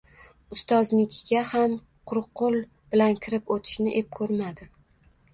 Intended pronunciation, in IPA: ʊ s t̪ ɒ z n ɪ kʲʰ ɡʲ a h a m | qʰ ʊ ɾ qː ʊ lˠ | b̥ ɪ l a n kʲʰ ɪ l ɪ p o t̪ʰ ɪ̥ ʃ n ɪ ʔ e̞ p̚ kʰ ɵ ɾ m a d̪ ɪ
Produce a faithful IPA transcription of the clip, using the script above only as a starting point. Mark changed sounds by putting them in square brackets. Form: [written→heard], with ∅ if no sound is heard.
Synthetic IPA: ʊ s t̪ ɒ z n ɪ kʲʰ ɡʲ a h a m | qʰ ʊ ɾ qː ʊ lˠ | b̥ ɪ l a n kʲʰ ɪ [l→ɾ] ɪ p o t̪ʰ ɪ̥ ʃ n ɪ ʔ e̞ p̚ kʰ ɵ ɾ m a d̪ ɪ